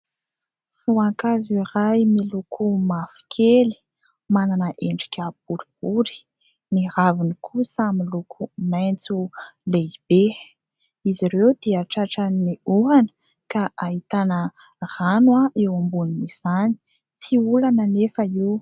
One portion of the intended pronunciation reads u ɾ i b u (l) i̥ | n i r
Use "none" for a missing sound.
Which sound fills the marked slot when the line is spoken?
ɾ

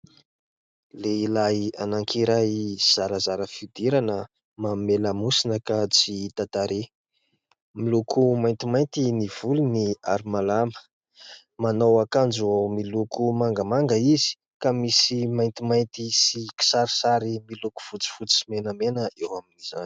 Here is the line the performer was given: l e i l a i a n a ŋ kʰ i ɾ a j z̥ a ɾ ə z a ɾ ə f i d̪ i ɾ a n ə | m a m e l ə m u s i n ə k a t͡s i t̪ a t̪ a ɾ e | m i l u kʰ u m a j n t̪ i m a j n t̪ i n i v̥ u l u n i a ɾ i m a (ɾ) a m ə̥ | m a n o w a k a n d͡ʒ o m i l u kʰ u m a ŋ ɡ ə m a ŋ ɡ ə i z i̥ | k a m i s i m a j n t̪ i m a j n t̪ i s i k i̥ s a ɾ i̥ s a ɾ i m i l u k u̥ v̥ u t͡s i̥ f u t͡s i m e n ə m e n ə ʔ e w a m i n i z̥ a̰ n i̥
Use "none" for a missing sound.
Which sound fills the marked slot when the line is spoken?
l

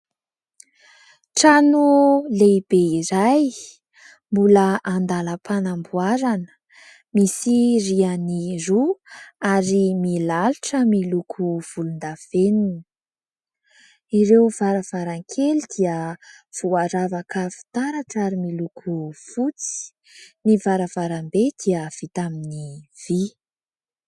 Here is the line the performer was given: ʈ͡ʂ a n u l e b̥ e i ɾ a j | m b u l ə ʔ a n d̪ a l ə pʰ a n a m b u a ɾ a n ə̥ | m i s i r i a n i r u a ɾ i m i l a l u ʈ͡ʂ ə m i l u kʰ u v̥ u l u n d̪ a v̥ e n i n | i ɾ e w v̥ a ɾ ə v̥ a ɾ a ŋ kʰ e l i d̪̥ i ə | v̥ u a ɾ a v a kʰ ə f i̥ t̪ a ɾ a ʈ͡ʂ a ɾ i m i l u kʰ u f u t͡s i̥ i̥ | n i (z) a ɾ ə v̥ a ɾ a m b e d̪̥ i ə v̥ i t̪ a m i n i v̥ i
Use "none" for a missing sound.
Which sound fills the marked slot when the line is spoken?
v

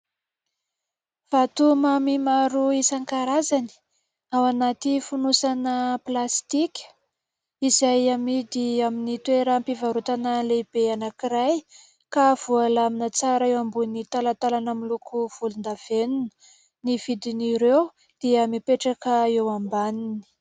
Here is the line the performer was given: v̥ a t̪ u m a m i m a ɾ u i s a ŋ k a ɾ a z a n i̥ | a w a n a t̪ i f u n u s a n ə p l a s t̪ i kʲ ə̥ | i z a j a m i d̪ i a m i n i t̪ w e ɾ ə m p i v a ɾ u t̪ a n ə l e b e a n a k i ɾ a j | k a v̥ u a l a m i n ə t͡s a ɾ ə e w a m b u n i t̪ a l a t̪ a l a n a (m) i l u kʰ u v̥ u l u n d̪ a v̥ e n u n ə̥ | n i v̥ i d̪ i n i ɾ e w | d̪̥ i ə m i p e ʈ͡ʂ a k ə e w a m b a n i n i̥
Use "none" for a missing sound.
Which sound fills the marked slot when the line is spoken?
m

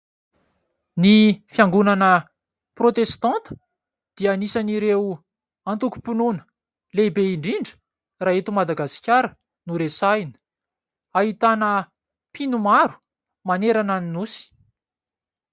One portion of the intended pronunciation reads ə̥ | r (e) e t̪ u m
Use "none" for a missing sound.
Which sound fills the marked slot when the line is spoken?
a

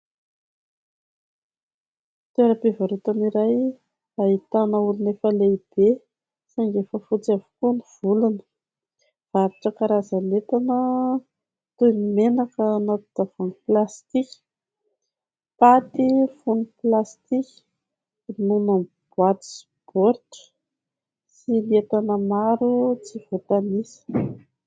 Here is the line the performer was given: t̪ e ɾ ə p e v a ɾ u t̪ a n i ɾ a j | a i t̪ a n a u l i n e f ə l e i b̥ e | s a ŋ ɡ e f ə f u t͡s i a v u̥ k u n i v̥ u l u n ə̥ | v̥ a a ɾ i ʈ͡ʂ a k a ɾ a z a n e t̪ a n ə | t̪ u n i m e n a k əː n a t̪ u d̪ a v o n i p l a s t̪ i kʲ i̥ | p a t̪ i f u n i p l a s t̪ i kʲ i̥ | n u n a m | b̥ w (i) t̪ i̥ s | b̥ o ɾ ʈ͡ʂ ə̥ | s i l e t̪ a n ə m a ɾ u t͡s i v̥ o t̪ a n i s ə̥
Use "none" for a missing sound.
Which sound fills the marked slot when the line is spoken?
a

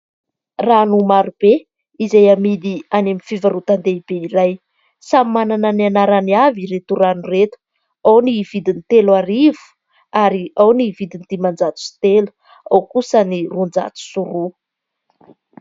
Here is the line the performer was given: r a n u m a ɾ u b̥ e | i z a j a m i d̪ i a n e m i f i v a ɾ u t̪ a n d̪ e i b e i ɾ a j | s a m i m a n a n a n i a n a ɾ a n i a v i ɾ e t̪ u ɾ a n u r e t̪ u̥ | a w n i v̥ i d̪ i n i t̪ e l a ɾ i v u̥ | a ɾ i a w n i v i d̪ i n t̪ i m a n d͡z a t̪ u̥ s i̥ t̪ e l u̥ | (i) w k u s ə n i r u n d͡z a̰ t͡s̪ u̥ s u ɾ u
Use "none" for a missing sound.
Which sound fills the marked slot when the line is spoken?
a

